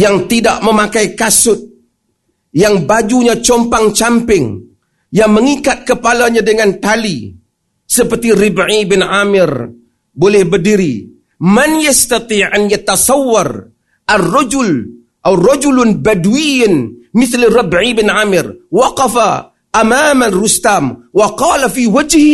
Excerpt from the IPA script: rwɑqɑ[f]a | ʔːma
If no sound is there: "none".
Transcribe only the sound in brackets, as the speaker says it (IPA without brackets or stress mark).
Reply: f